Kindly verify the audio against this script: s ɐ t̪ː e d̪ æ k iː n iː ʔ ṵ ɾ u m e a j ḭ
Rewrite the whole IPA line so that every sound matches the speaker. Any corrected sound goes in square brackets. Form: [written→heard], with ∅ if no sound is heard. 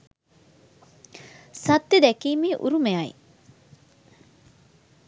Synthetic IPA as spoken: s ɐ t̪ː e d̪ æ k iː [n→m] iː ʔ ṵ ɾ u m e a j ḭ